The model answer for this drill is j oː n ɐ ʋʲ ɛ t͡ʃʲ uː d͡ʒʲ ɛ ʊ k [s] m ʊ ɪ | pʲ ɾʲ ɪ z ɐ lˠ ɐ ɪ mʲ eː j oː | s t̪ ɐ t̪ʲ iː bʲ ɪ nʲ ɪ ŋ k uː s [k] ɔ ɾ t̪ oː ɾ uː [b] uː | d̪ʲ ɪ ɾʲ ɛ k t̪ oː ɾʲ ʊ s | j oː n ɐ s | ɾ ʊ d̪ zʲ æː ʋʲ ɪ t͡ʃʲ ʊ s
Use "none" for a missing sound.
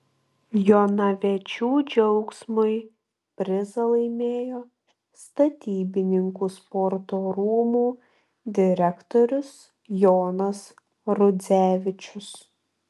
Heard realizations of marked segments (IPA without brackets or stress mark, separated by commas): s, p, m